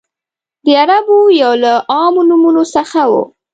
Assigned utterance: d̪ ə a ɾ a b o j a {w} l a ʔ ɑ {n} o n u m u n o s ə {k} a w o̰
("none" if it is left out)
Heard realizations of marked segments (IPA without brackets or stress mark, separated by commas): w, m, x